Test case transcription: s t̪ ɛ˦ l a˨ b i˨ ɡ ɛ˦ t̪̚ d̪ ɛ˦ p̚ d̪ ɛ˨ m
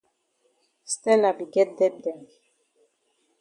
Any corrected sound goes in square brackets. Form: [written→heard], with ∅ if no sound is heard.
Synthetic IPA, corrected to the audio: s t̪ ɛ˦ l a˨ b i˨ ɡ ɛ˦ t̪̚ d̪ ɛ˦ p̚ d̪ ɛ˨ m